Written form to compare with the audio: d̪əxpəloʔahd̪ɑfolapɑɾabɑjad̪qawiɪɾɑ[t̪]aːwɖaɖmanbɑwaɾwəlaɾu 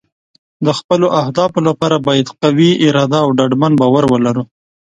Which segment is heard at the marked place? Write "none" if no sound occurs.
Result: d̪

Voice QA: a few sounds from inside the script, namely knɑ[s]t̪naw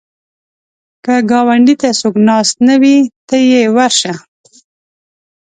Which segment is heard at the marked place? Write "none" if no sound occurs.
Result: s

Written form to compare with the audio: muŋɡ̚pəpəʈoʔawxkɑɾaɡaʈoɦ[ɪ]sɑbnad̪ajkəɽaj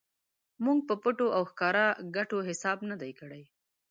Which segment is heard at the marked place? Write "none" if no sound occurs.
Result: ɪ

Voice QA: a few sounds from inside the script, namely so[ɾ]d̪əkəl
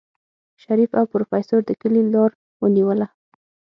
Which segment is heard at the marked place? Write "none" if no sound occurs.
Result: ɾ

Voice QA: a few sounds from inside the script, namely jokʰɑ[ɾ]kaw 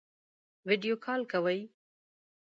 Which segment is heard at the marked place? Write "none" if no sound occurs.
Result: l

